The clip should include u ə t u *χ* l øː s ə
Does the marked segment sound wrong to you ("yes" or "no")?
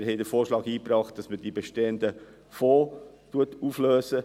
yes